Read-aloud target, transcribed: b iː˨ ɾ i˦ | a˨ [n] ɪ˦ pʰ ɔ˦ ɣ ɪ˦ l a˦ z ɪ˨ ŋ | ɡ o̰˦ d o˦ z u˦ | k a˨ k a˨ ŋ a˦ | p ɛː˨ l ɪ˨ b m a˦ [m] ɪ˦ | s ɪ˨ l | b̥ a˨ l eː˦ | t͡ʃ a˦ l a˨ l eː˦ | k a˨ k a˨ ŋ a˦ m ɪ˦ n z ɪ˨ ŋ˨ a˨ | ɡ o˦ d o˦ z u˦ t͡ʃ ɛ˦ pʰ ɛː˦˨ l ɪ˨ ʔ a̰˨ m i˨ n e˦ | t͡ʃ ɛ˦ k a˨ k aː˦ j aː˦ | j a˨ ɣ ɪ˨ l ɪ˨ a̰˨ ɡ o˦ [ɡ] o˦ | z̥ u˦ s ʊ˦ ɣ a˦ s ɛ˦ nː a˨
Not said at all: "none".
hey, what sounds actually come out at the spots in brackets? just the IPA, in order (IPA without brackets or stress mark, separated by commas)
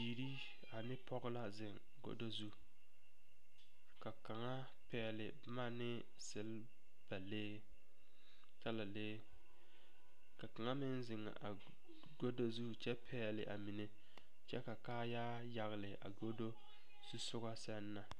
n, n, d